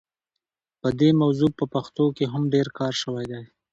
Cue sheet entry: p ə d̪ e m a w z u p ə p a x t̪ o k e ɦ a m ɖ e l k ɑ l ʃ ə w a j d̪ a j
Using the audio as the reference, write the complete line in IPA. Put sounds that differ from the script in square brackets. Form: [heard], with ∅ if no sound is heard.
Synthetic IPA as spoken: p ə d̪ e m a w z u p ə p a x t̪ o k e ɦ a m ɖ e [ɾ] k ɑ [ɾ] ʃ ə w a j d̪ a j